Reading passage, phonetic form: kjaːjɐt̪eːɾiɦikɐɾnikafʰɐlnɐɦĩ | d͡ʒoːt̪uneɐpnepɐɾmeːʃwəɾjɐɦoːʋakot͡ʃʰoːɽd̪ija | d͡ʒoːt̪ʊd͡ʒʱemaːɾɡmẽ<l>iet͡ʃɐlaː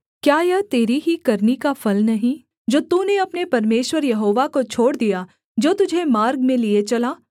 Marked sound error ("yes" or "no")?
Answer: no